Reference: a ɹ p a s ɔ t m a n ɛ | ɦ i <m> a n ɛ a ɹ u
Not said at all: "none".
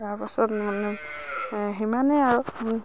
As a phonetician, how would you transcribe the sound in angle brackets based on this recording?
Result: m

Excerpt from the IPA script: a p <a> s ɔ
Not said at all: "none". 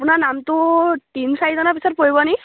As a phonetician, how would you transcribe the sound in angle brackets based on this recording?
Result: i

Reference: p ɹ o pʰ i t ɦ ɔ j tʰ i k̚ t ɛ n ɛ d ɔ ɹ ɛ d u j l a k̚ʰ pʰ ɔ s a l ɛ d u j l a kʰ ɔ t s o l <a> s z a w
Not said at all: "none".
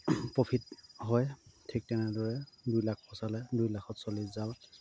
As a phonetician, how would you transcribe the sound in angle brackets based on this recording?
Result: i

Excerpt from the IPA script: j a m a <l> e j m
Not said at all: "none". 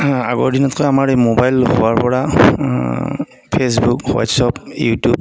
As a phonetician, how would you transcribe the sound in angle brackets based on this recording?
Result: ɹ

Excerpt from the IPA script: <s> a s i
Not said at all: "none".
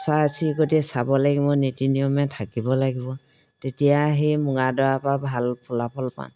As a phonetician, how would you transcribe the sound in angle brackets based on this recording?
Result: s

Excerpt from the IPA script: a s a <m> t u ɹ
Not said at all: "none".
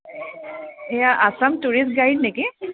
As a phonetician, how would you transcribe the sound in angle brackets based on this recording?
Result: m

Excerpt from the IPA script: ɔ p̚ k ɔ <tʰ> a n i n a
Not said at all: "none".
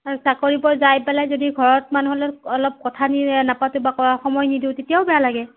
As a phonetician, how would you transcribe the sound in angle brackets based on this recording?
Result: tʰ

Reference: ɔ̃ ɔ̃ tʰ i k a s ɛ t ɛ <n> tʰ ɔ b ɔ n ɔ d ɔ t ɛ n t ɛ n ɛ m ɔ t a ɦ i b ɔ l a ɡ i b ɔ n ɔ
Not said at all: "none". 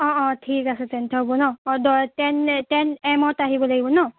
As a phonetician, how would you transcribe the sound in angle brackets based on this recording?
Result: n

